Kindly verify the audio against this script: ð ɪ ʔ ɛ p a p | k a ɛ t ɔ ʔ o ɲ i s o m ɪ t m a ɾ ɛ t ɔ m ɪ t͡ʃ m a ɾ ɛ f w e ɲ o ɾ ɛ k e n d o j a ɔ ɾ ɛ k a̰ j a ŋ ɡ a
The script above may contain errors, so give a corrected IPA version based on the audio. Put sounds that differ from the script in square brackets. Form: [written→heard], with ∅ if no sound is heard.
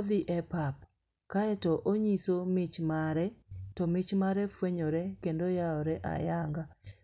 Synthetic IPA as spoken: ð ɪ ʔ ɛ p a p | k a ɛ t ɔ ʔ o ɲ i s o m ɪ [t→t͡ʃ] m a ɾ ɛ t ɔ m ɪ t͡ʃ m a ɾ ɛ f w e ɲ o ɾ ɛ k e n d o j a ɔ ɾ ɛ [k→ʔ] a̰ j a ŋ ɡ a